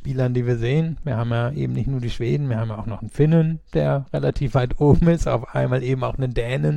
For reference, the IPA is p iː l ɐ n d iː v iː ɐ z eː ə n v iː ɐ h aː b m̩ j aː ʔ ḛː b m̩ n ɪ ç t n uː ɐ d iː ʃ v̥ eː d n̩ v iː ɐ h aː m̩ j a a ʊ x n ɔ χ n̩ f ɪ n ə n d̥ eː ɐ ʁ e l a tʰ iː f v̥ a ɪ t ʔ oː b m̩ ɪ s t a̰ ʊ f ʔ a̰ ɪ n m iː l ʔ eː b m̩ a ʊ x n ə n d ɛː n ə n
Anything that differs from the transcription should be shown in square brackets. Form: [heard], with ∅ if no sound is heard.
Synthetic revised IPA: p iː l ɐ n d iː v iː ɐ z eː ə n v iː ɐ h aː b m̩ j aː ʔ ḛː b m̩ n ɪ ç t n uː ɐ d iː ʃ v̥ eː d n̩ v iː ɐ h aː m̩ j a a ʊ x n ɔ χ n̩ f ɪ n ə n d̥ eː ɐ ʁ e l a tʰ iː f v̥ a ɪ t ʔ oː b m̩ ɪ s t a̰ ʊ f ʔ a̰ ɪ n m [aː] l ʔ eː b m̩ a ʊ x n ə n d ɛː n ə n